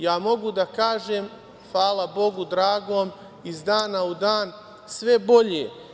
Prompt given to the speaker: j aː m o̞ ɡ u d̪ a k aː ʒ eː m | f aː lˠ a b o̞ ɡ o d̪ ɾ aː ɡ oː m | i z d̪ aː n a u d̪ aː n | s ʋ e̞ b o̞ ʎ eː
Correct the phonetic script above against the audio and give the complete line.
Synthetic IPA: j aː m o̞ ɡ u d̪ a k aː ʒ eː m | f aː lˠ a b o̞ ɡ u d̪ ɾ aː ɡ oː m | i z d̪ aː n a u d̪ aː n | s ʋ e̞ b o̞ ʎ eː

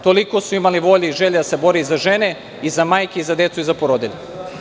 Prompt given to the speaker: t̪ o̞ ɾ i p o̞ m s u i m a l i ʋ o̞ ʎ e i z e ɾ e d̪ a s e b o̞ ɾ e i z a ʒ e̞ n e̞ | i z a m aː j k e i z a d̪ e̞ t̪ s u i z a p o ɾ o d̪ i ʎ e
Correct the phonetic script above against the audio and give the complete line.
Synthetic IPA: t̪ o̞ l i k o̞ s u i m a l i ʋ o̞ ʎ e i ʒ e ʎ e d̪ a s e b o̞ ɾ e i z a ʒ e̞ n e̞ | i z a m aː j k e i z a d̪ e̞ t̪ s u i z a p o ɾ o d̪ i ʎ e

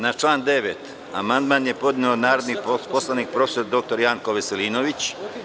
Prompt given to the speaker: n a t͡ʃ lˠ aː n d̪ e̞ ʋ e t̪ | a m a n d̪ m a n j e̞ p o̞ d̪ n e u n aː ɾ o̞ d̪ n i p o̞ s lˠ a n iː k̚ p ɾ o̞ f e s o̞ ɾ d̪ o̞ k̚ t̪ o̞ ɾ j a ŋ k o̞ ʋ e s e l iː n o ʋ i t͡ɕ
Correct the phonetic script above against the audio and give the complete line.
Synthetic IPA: n a t͡ʃ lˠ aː n d̪ e̞ ʋ e t̪ | a m a n d̪ m a n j e̞ p o̞ d̪ n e o n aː ɾ o̞ d̪ n i p o̞ s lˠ a n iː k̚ p ɾ o̞ f e s o̞ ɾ d̪ o̞ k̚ t̪ o̞ ɾ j a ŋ k o̞ ʋ e s e l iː n o ʋ i t͡ɕ

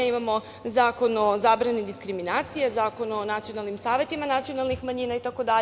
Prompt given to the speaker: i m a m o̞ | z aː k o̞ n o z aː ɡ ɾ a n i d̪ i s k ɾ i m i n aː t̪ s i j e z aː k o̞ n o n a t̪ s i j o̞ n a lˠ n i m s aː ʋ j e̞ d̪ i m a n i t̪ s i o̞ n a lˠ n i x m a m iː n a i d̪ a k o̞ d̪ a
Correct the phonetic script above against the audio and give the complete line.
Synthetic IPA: i m a m o̞ | z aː k o̞ n o z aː b ɾ a n i d̪ i s k ɾ i m i n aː t̪ s i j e z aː k o̞ n o n a t̪ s i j o̞ n a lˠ n i m s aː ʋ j e̞ t̪ i m a n a t̪ s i o̞ n a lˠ n i x m a ɲ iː n a i t̪ a k o̞ d̪ a

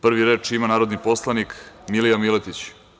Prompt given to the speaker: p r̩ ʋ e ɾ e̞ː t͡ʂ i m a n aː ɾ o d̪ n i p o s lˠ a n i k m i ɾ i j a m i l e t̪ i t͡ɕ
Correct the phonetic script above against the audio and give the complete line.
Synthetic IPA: p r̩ ʋ i ɾ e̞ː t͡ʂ i m a n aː ɾ o d̪ n i p o s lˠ a n i k m i l i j a m i l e t̪ i t͡ɕ

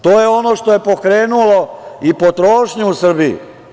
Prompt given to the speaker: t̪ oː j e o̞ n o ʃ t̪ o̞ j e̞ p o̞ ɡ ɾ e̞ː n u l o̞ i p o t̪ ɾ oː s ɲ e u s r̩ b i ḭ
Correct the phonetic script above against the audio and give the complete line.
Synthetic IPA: t̪ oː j e o̞ n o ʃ t̪ o̞ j e̞ p o̞ k ɾ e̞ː n u l o̞ i p o t̪ ɾ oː ʃ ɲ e u s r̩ b i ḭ

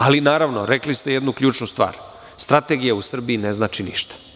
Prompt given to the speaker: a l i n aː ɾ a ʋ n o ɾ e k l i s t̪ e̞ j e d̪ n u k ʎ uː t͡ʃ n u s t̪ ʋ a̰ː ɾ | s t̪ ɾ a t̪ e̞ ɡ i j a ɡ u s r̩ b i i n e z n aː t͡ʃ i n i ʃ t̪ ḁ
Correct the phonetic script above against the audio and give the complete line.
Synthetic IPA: a l i n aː ɾ a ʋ n o ɾ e k l i s t̪ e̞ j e d̪ n u k ʎ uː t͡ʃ n u s t̪ ʋ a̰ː ɾ | s t̪ ɾ a t̪ e̞ ɡ i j a u s r̩ b i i n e z n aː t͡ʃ i n i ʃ t̪ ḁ

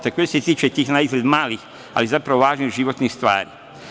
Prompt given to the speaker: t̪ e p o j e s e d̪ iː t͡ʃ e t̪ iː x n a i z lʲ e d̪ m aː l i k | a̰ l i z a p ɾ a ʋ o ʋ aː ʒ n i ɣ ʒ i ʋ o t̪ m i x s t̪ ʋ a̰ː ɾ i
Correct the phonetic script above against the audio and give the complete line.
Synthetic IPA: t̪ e k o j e s e t̪ iː t͡ʃ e t̪ iː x n a i z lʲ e d̪ m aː l i x | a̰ l i z a p ɾ a ʋ o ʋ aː ʒ n i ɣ ʒ i ʋ o t̪ n i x s t̪ ʋ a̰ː ɾ i

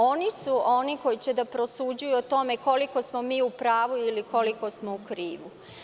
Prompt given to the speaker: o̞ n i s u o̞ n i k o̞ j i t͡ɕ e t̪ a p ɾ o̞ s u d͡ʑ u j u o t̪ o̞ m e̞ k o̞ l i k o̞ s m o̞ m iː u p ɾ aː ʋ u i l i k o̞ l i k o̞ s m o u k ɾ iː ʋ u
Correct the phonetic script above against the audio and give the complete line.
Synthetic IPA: o̞ n i s u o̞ n i k o̞ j i t͡ɕ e d̪ a p ɾ o̞ s u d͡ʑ u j u o t̪ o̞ m e̞ k o̞ l i k o̞ s m o̞ m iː u p ɾ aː ʋ u i l i k o̞ l i k o̞ s m o u k ɾ iː ʋ u

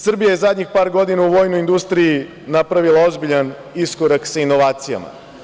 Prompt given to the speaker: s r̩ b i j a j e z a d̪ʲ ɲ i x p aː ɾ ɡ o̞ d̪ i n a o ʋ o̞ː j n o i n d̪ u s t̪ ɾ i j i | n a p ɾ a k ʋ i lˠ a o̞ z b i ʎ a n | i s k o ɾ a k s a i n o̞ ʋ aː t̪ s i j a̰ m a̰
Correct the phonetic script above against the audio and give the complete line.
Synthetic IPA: s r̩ b i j a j e z a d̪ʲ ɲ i x p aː ɾ ɡ o̞ d̪ i n a u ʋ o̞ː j n o i n d̪ u s t̪ ɾ i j i | n a p ɾ a ʋ i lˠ a o̞ z b i ʎ a n | i s k o ɾ a k s a i n o̞ ʋ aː t̪ s i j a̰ m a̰

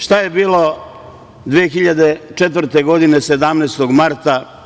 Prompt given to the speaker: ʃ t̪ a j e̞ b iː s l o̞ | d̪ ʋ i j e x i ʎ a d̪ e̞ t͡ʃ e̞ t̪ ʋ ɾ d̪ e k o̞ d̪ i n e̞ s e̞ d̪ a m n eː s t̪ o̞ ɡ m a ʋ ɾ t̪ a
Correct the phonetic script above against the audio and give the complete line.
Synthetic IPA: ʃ t̪ a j e̞ b iː l o̞ | d̪ ʋ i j e x i ʎ a d̪ e̞ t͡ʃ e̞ t̪ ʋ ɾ t̪ e ɡ o̞ d̪ i n e̞ s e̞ d̪ a m n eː s t̪ o̞ ɡ m a ɾ t̪ a

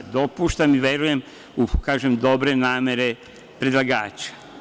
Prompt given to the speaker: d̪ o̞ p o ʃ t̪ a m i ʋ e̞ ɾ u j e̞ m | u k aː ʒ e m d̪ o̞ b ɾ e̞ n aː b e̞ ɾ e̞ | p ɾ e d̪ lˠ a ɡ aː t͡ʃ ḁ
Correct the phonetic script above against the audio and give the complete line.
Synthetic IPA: d̪ o̞ p u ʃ t̪ a m i ʋ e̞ ɾ u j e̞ m | u k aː ʒ e m d̪ o̞ b ɾ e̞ n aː m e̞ ɾ e̞ | p ɾ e d̪ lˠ a ɡ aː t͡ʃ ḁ

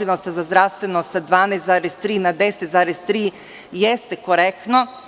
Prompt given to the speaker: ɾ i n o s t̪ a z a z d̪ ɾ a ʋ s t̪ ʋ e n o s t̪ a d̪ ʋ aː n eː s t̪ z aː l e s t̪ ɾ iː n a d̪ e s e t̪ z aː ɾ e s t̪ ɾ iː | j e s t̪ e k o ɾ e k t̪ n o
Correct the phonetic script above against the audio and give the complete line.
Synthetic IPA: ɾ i n o s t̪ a z a z d̪ ɾ a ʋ s t̪ ʋ e n o s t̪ a d̪ ʋ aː n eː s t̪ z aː ɾ e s t̪ ɾ iː n a d̪ e s e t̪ z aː ɾ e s t̪ ɾ iː | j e s t̪ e k o ɾ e k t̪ n o

